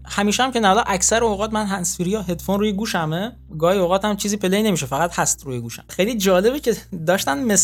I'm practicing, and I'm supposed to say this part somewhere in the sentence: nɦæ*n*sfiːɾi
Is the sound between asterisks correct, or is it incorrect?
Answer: correct